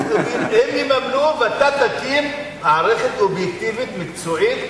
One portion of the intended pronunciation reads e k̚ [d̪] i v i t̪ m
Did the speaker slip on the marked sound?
yes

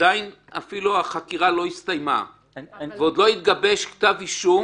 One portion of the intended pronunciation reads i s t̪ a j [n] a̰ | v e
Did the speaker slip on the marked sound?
yes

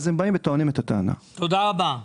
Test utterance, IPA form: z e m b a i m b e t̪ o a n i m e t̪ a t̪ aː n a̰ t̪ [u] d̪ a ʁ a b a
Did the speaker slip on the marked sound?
yes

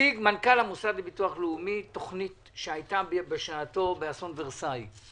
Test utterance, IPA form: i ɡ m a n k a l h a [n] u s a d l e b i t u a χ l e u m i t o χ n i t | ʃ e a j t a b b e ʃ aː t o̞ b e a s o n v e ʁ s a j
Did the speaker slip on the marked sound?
yes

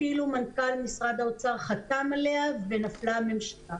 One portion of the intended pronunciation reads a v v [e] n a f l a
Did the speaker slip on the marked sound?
no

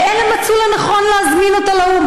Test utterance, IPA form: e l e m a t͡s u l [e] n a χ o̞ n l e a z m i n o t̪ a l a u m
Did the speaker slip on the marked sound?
yes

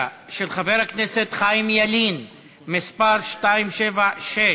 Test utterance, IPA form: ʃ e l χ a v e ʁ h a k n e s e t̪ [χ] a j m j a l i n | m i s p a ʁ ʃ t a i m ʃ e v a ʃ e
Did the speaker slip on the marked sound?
no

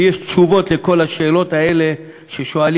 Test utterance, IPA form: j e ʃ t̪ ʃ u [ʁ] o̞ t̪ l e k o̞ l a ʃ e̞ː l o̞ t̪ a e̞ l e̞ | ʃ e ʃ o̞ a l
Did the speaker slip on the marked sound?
yes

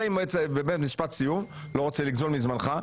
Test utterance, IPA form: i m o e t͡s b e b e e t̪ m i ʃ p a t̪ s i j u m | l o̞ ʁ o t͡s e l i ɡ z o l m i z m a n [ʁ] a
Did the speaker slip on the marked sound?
yes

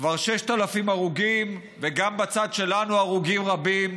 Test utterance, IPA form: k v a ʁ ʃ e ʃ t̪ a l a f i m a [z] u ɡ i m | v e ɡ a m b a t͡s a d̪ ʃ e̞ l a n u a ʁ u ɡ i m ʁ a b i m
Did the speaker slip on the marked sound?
yes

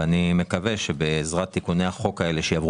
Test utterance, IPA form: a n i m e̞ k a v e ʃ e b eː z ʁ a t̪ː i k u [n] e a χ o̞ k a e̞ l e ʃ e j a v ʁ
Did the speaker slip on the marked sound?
no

